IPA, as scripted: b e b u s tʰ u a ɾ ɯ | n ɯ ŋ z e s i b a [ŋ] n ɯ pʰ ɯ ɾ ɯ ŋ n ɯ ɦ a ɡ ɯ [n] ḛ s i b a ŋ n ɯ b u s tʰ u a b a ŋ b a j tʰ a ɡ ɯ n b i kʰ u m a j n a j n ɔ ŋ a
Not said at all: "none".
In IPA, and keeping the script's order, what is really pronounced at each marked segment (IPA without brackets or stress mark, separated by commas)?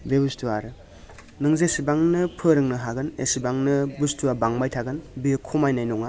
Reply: ŋ, n